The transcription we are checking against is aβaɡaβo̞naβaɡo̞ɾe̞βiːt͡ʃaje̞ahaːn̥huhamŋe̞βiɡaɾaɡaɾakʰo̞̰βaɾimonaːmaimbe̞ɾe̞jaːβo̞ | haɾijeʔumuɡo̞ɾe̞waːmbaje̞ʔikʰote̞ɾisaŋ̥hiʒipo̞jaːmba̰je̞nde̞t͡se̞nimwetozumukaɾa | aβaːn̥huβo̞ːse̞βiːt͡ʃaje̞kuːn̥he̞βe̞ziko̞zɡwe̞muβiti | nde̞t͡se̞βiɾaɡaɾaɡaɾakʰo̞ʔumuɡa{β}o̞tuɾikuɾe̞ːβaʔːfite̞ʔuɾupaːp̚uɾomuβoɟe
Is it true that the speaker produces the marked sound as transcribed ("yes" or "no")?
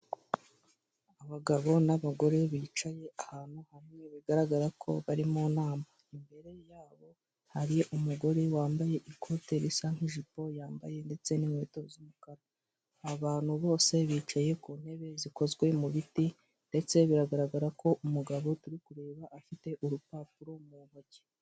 yes